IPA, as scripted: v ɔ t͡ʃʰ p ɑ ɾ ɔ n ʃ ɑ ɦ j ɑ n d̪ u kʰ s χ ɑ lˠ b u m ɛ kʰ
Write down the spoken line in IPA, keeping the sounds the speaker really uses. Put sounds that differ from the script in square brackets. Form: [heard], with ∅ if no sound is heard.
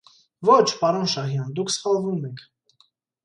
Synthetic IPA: v ɔ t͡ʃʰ p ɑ ɾ ɔ n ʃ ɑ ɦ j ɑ n d̪ u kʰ s χ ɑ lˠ [v] u m ɛ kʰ

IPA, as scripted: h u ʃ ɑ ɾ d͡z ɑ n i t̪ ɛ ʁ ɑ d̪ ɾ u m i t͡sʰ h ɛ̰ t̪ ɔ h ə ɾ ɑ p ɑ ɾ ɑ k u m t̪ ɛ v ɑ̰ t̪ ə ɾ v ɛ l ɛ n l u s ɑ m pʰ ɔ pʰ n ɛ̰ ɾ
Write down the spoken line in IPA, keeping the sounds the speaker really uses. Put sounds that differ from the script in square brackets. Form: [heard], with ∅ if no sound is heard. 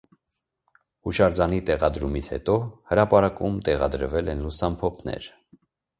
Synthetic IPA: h u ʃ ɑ ɾ d͡z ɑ n i t̪ ɛ ʁ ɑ d̪ ɾ u m i t͡sʰ h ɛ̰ t̪ ɔ h ə ɾ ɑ p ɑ ɾ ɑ k u m t̪ ɛ [ʁ] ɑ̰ [d̪] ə ɾ v ɛ l ɛ n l u s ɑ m pʰ ɔ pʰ n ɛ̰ ɾ

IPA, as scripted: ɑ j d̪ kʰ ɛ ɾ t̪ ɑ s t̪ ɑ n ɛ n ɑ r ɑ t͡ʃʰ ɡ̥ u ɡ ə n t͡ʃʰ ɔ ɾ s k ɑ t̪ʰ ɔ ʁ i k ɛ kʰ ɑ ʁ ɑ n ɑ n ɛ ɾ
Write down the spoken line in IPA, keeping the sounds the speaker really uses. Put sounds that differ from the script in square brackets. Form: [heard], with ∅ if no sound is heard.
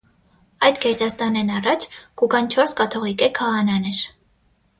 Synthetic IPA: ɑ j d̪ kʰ ɛ ɾ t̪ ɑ s t̪ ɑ n ɛ n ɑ r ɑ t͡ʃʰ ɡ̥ u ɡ [ɑ] n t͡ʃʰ ɔ ɾ s k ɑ t̪ʰ ɔ ʁ i k ɛ kʰ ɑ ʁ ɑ n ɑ n ɛ ɾ

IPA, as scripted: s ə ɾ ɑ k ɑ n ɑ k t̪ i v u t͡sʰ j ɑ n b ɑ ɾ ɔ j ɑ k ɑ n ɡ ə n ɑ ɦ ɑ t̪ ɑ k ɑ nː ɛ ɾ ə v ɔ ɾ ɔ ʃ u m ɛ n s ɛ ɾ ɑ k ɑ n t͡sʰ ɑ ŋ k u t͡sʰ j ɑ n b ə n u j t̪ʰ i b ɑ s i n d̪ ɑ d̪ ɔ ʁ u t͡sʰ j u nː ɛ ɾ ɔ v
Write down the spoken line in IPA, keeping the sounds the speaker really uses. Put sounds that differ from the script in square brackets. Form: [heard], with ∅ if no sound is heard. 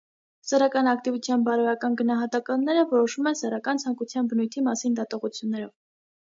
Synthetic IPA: s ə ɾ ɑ k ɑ n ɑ k t̪ i v u t͡sʰ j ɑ n b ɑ ɾ ɔ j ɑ k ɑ n ɡ ə n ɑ ɦ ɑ t̪ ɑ k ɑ nː ɛ ɾ ə v ɔ ɾ ɔ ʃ u m ɛ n s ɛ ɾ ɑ k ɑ n t͡sʰ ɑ ŋ k u t͡sʰ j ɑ n b ə n u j t̪ʰ i [m] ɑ s i n d̪ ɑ [t̪] ɔ ʁ u t͡sʰ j u nː ɛ ɾ ɔ v

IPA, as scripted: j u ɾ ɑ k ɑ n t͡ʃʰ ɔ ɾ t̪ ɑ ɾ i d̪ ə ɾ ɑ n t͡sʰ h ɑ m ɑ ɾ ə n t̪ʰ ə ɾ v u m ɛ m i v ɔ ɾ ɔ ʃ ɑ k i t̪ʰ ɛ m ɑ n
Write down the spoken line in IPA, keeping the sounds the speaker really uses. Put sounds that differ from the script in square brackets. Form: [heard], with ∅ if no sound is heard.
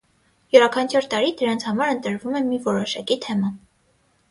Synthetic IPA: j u ɾ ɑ [kʰ] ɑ n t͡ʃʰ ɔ ɾ t̪ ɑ ɾ i d̪ ə ɾ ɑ n t͡sʰ h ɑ m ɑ ɾ ə n [t̪] ə ɾ v u m ɛ m i v ɔ ɾ ɔ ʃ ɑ k i t̪ʰ ɛ m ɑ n

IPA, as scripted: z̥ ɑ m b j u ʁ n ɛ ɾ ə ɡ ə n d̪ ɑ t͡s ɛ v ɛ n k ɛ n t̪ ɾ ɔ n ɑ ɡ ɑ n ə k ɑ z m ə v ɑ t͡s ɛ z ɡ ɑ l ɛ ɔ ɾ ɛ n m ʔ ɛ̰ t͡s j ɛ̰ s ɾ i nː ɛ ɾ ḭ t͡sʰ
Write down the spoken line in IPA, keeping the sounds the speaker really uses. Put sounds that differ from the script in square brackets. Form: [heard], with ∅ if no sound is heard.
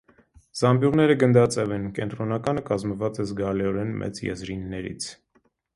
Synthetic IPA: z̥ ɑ m b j u ʁ n ɛ ɾ ə ɡ ə n d̪ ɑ t͡s ɛ v ɛ n k ɛ n t̪ ɾ ɔ n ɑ [k] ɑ n ə k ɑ z m ə v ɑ t͡s ɛ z ɡ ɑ l ɛ ɔ ɾ ɛ n m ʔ ɛ̰ t͡s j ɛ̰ [z] ɾ i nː ɛ ɾ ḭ t͡sʰ

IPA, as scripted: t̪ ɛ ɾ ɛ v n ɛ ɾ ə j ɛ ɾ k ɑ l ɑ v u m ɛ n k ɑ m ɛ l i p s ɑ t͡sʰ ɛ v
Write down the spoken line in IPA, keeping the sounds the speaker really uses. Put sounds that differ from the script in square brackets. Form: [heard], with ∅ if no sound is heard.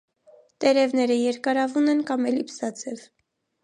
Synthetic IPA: t̪ ɛ ɾ ɛ v n ɛ ɾ ə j ɛ ɾ k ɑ [ɾ] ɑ v u [n] ɛ n k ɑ m ɛ l i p s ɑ t͡sʰ ɛ v

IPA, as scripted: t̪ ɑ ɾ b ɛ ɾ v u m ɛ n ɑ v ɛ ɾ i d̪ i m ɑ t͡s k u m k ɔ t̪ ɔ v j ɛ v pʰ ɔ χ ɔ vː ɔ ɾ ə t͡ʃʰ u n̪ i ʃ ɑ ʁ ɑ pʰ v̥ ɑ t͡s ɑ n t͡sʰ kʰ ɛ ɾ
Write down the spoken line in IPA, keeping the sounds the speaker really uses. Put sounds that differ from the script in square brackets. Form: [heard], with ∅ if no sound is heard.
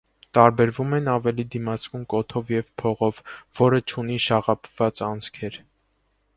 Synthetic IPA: t̪ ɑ ɾ b ɛ ɾ v u m ɛ n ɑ v ɛ [l] i d̪ i m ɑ t͡s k u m k ɔ [t̪ʰ] ɔ v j ɛ v pʰ ɔ [ʁ] ɔ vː ɔ ɾ ə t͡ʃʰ u n̪ i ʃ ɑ ʁ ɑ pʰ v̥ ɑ t͡s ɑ n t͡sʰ kʰ ɛ ɾ

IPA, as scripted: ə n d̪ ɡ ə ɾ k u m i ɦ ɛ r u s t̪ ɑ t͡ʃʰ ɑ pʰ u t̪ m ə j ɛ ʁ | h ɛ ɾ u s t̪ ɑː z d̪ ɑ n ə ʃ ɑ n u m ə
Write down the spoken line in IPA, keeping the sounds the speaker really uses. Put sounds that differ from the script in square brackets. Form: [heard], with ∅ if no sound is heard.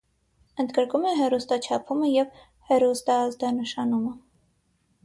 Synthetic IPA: ə n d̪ ɡ ə ɾ k u m [ɛ] ɦ ɛ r u s t̪ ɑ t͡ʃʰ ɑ pʰ u [∅] m ə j ɛ [v] | h ɛ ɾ u s t̪ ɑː z d̪ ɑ n ə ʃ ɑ n u m ə

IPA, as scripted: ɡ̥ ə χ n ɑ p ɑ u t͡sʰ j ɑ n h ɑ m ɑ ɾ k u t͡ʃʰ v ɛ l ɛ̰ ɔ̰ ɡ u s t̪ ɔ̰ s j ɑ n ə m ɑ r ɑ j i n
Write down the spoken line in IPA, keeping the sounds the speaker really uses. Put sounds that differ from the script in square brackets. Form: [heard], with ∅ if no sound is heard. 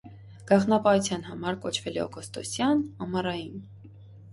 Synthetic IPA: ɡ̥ [ɑ] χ n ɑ p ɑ u t͡sʰ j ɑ n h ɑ m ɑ ɾ k [ɔ] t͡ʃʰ v ɛ l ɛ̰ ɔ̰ ɡ [ɔ] s t̪ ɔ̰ s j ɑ n [ɑ] m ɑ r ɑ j i n

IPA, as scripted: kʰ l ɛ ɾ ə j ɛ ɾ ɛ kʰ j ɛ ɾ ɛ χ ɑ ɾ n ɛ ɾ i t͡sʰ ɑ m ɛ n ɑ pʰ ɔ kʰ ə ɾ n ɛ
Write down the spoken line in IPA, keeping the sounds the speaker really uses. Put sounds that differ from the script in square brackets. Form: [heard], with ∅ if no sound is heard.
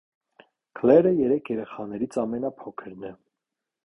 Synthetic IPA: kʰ l ɛ ɾ ə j ɛ ɾ ɛ kʰ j ɛ ɾ ɛ χ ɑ [∅] n ɛ ɾ i t͡sʰ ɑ m ɛ n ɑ pʰ ɔ kʰ ə ɾ n ɛ

